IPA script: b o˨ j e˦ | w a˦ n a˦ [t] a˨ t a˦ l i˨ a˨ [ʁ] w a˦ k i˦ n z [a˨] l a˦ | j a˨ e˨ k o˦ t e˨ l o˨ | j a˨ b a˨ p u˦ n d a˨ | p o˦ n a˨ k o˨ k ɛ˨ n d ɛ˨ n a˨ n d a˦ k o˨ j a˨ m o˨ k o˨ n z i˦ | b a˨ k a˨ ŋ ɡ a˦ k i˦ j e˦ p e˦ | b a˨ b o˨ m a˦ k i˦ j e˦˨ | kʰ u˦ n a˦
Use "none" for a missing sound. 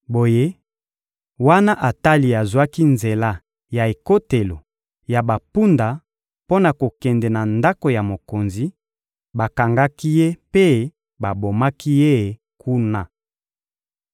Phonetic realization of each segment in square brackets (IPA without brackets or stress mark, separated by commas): ʔ, z, e˨